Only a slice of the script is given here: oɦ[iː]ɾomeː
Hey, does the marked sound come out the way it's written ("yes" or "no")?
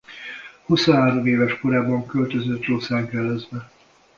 no